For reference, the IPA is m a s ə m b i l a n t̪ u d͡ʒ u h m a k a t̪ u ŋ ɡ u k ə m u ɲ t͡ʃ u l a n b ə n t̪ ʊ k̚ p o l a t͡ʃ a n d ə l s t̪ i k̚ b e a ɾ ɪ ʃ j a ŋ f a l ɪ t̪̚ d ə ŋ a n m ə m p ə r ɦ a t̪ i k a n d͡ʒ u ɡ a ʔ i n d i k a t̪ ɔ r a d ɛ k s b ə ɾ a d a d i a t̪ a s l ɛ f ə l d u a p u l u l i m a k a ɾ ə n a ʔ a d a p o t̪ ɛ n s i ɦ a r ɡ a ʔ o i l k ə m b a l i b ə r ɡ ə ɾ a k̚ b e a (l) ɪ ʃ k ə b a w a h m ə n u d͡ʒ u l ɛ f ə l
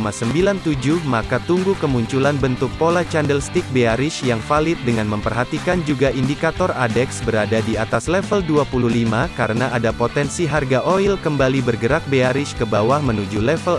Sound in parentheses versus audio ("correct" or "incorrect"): incorrect